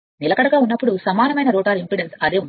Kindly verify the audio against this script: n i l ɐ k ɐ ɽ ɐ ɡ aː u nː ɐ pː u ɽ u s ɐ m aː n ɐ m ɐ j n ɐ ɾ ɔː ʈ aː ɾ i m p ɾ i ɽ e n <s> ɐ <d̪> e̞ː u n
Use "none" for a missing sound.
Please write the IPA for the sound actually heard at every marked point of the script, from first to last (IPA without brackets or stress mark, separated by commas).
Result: s, d̪